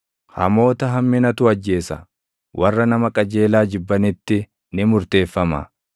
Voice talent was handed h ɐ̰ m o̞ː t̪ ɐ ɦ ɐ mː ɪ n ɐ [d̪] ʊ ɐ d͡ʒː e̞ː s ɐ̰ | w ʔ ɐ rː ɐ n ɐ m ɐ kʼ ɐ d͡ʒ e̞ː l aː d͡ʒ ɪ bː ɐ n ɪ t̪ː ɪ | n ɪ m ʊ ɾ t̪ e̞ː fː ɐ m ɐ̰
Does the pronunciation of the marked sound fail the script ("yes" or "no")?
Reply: yes